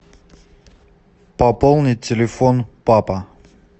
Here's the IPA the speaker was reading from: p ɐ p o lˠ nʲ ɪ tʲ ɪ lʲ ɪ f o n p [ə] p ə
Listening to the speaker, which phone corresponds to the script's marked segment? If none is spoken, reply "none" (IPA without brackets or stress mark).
a